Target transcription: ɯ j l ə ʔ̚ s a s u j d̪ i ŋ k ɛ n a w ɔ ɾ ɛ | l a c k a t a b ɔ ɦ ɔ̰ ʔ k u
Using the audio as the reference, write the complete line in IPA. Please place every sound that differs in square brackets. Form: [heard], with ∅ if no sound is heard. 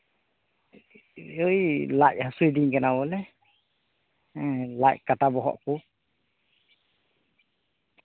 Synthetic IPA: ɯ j l [a] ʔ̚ [h] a s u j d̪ i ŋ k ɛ n a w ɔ [l] ɛ | l a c k a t a b ɔ ɦ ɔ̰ ʔ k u

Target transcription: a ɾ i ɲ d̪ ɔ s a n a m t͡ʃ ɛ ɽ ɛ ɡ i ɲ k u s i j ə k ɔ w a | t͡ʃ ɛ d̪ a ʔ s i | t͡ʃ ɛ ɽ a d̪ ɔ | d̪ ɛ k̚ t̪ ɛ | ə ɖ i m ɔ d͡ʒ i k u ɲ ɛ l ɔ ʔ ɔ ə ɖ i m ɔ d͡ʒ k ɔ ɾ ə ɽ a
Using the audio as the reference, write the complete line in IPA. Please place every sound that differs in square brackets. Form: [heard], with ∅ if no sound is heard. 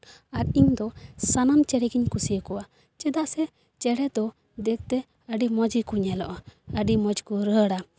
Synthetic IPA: a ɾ i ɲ d̪ ɔ s a n a m t͡ʃ ɛ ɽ ɛ ɡ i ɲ k u s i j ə k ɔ w a | t͡ʃ ɛ d̪ a ʔ s [ɛ] | t͡ʃ ɛ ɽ [ɛ] d̪ ɔ | d̪ ɛ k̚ t̪ ɛ | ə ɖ i m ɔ d͡ʒ i k u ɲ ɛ l ɔ ʔ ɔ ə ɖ i m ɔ d͡ʒ k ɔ ɾ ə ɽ a

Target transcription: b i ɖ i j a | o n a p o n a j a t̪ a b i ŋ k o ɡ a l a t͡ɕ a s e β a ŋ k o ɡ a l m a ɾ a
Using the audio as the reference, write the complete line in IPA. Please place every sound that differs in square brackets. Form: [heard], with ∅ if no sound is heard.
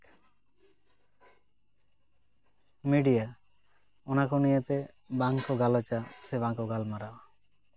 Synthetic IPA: [m] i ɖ i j a | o n a [k] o n [i] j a t̪ [e] b [a] ŋ k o ɡ a l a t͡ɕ a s e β a ŋ k o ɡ a l m a ɾ a

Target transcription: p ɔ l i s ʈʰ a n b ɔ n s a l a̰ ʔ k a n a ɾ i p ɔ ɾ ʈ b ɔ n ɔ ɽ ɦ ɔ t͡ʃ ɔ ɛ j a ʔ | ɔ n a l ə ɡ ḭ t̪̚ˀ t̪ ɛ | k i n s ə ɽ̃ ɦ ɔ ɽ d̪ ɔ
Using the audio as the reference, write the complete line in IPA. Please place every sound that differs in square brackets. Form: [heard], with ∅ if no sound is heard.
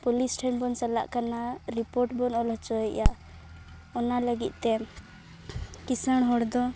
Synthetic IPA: p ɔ l i s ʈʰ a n b ɔ n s a l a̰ ʔ k a n a ɾ i p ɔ ɾ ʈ b ɔ n ɔ [l] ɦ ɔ t͡ʃ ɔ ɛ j a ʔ | ɔ n a l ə ɡ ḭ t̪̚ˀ t̪ ɛ | k i [∅] s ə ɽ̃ ɦ ɔ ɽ d̪ ɔ

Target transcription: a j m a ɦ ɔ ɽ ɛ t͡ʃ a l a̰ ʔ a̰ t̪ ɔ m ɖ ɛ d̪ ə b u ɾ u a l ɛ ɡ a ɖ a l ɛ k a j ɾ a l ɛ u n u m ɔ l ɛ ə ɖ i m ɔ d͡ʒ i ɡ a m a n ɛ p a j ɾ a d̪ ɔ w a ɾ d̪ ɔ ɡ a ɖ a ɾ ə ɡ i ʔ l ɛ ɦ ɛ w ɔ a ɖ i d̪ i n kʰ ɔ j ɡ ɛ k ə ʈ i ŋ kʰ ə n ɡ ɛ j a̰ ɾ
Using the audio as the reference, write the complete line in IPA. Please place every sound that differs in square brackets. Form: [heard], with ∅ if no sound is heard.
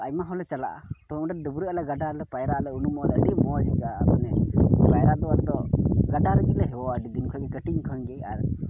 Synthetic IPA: a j m a ɦ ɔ [l] ɛ t͡ʃ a l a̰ ʔ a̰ t̪ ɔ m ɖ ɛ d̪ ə b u ɾ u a l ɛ ɡ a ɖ a l ɛ [p] a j ɾ a l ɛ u n u m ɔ l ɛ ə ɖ i m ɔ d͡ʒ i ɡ a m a n ɛ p a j ɾ a d̪ ɔ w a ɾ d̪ ɔ ɡ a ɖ a ɾ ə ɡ i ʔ l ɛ ɦ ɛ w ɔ a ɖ i d̪ i n kʰ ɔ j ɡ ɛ k ə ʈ i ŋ kʰ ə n ɡ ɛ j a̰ ɾ

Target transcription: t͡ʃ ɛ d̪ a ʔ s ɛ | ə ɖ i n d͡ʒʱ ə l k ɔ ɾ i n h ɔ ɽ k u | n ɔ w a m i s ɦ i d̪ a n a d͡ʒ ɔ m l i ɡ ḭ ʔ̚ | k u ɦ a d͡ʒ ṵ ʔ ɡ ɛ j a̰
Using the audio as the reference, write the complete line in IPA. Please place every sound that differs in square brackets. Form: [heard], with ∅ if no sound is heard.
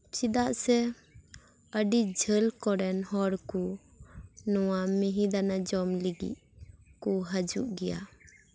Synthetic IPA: t͡ʃ [i] d̪ a ʔ s ɛ | ə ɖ i [∅] d͡ʒʱ ə l k ɔ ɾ [ɛ] n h ɔ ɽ k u | n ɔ w a m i [∅] ɦ i d̪ a n a d͡ʒ ɔ m l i ɡ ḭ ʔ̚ | k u ɦ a d͡ʒ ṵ ʔ ɡ ɛ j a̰

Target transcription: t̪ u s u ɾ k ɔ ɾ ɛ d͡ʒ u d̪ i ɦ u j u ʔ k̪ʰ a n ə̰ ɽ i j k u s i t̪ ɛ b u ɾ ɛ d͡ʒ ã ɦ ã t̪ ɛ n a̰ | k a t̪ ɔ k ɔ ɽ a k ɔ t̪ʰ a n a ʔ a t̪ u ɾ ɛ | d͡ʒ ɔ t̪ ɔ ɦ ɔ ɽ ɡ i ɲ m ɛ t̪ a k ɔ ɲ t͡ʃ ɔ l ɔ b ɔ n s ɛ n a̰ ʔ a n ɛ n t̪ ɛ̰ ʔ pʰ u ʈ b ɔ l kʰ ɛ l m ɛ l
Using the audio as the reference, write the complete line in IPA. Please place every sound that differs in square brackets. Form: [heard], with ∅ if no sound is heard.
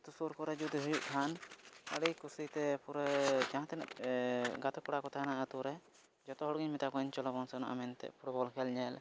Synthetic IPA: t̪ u s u ɾ k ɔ ɾ ɛ d͡ʒ u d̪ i ɦ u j u ʔ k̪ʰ a n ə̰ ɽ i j k u s i t̪ ɛ [p] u ɾ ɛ d͡ʒ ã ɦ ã t̪ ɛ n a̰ | [ɡ] a t̪ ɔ k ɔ ɽ a k ɔ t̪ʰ a n a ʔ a t̪ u ɾ ɛ | d͡ʒ ɔ t̪ ɔ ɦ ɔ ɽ ɡ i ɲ m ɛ t̪ a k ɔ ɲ t͡ʃ ɔ l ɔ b ɔ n s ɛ n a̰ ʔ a [m] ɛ n t̪ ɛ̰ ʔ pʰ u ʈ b ɔ l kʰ ɛ l [ɲ] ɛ l

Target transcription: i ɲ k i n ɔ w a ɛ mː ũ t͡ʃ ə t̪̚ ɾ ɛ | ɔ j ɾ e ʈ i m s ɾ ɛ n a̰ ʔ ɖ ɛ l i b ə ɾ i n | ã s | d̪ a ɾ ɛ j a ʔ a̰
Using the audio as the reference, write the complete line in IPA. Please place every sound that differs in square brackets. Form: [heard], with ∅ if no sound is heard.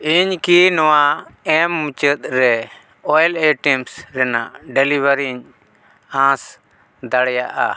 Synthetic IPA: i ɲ k i n ɔ w a ɛ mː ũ t͡ʃ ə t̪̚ ɾ ɛ | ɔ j [l] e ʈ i m s ɾ ɛ n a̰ ʔ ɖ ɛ l i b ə ɾ i [ɲ] | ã s | d̪ a [ɽ] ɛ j a ʔ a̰

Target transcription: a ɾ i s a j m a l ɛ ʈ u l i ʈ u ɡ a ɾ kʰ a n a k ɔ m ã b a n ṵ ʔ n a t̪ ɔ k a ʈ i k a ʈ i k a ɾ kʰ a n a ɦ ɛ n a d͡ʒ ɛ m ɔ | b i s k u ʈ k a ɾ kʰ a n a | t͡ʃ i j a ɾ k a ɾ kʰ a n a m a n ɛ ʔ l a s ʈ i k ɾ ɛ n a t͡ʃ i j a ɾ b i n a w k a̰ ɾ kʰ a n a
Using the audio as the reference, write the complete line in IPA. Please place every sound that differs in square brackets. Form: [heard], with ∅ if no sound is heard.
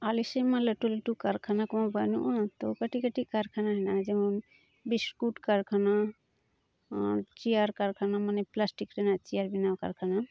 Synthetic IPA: a [l] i s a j m a l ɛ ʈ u l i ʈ u [k] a ɾ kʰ a n a k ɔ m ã b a n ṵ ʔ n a t̪ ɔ k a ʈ i k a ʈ i k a ɾ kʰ a n a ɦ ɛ n a d͡ʒ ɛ m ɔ | b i s k u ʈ k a ɾ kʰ a n a | t͡ʃ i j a ɾ k a ɾ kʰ a n a m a n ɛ [p] l a s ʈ i k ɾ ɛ n a t͡ʃ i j a ɾ b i n a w k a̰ ɾ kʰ a n a

